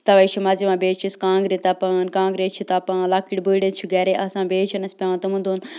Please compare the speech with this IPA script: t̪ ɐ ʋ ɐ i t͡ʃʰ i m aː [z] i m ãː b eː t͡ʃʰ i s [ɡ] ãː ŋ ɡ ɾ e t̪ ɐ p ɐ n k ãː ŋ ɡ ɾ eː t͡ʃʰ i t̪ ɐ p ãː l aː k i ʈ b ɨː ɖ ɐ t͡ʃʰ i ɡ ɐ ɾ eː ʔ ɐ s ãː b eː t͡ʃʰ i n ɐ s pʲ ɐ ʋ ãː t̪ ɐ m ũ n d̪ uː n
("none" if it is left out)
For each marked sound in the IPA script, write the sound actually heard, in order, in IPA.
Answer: z, k

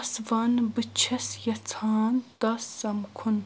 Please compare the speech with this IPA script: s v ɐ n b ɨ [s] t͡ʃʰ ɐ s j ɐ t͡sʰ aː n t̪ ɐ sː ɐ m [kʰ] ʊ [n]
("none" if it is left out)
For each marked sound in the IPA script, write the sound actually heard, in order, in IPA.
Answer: none, kʰ, n

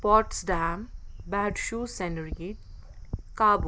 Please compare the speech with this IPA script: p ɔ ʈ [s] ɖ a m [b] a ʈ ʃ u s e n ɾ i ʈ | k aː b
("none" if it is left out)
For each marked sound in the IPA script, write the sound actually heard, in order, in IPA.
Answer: s, b

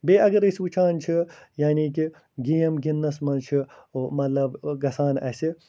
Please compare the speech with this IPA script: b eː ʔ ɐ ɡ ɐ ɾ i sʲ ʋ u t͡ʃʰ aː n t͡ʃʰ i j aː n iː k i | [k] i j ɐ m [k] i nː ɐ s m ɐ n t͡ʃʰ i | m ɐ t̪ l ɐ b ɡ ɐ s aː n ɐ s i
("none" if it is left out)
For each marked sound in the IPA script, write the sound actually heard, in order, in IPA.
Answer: ɡ, ɡ

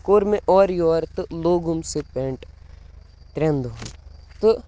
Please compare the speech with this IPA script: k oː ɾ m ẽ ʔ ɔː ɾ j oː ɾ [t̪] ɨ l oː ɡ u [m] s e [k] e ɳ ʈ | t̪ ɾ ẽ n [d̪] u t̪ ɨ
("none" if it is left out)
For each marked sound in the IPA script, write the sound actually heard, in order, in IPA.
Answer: t̪, m, p, d̪

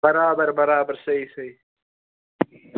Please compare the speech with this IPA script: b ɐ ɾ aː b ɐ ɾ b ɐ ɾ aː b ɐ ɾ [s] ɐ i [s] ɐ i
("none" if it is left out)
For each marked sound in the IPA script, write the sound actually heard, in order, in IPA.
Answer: s, s

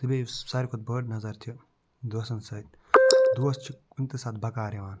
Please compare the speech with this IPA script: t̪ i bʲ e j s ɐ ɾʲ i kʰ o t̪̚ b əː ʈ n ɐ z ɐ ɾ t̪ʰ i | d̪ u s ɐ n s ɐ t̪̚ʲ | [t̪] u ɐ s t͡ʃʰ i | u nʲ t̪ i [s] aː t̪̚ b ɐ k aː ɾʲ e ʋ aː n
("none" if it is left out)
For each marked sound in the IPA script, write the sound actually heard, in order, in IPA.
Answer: d̪, s

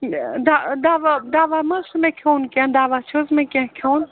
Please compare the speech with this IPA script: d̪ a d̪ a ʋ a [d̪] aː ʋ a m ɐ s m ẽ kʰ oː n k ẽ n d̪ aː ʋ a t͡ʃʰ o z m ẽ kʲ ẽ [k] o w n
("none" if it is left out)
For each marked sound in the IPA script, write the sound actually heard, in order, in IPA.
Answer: d̪, kʰ

